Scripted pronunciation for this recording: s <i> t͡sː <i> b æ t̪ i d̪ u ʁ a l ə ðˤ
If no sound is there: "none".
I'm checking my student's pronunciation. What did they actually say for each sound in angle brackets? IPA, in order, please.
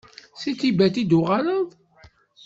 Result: i, i

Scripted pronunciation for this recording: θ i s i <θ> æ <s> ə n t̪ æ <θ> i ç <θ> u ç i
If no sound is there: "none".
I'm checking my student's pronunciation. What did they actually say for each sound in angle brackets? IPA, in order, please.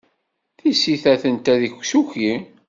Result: θ, θ, ð, s

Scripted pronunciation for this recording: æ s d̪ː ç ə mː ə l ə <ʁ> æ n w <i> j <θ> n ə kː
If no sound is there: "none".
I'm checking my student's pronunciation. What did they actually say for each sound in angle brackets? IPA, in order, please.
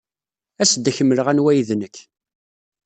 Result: ʁ, æ, ð

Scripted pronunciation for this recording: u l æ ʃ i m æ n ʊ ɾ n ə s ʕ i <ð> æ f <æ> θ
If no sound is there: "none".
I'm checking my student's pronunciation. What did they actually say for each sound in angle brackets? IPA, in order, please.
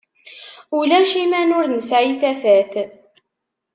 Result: θ, æ

